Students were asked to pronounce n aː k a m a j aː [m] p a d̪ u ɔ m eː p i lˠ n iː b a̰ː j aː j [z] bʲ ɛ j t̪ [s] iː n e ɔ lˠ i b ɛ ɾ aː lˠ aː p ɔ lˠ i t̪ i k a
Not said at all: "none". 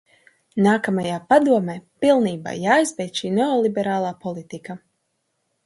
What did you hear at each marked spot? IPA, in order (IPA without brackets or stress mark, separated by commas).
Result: none, z, ʃ